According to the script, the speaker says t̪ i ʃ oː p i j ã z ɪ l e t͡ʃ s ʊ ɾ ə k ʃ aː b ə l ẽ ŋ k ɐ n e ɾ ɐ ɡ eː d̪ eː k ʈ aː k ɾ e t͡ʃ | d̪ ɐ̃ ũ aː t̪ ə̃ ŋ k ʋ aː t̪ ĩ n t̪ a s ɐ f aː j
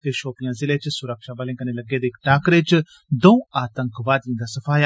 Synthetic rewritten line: t̪ e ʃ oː p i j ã z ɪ l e t͡ʃ s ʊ ɾ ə k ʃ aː b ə l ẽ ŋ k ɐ n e l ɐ ɡ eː d̪ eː k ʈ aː k ɾ e t͡ʃ | d̪ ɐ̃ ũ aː t̪ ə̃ ŋ k ʋ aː d̪ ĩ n d̪ a s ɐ f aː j